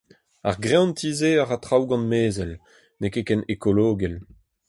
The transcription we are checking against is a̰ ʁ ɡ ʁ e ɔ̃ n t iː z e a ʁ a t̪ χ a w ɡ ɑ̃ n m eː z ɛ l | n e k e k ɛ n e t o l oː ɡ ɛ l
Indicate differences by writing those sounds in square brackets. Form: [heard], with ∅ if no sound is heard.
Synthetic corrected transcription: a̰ ʁ ɡ ʁ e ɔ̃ n t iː z e a ʁ a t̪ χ a w ɡ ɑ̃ n m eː z ɛ l | n e k e k ɛ n e [k] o l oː ɡ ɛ l